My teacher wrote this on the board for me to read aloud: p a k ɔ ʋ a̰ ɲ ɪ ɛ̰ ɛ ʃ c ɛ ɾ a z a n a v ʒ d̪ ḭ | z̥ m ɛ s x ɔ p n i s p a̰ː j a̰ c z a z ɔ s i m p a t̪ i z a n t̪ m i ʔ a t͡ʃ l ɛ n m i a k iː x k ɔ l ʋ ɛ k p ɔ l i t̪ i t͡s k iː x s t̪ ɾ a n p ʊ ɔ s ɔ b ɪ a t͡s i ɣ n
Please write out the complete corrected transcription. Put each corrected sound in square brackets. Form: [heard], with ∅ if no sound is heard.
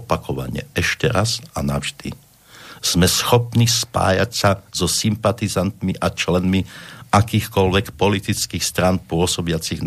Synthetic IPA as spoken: p a k ɔ ʋ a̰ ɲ ɪ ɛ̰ ɛ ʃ c ɛ ɾ a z a n a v ʒ d̪ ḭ | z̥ m ɛ s x ɔ p n i s p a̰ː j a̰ c [s] a z ɔ s i m p a t̪ i z a n t̪ m i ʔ a t͡ʃ l ɛ n m i a k iː x k ɔ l ʋ ɛ k p ɔ l i t̪ i t͡s k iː x s t̪ ɾ a n p ʊ ɔ s ɔ b ɪ a t͡s i ɣ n